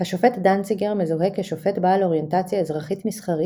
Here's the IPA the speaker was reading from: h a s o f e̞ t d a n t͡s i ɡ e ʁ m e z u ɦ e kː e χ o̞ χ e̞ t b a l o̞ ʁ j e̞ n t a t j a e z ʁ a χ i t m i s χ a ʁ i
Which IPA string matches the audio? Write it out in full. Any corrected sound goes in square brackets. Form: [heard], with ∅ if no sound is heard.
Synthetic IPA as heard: h a [ʃ] o f e̞ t d a n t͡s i ɡ e ʁ m e z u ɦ e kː e [ʃ] o̞ [f] e̞ t b a l o̞ ʁ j e̞ n t a [t͡s] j a e z ʁ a χ i t m i s χ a ʁ i